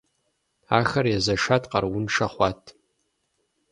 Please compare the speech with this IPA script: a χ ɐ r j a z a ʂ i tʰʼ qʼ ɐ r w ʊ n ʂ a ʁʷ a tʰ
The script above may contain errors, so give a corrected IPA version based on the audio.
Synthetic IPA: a x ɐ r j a z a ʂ a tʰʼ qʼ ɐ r w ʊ n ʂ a χʷ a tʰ